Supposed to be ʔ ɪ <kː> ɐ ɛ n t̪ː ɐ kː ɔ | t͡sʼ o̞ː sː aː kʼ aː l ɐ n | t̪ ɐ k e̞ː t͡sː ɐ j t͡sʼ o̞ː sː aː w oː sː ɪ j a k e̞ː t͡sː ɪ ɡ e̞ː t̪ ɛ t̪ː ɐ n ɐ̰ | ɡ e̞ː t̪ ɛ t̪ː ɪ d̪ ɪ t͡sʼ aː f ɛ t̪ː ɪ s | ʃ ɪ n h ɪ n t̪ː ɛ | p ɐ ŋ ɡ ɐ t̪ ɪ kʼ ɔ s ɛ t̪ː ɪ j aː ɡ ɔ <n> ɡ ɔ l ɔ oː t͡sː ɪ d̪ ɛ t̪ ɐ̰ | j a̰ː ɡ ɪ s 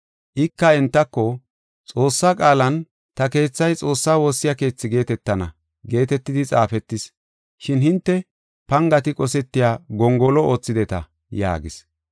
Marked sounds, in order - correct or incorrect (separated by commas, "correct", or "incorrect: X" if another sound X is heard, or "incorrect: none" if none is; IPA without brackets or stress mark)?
correct, incorrect: ŋ